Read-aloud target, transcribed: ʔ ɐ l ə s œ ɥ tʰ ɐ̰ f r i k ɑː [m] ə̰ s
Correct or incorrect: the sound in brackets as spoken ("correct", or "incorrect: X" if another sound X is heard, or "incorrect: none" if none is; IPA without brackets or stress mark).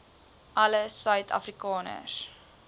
incorrect: n